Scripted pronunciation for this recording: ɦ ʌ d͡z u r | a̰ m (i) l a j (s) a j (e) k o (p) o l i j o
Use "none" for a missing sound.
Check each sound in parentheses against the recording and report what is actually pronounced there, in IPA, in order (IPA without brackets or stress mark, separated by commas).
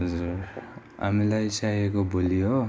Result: i, s, e, b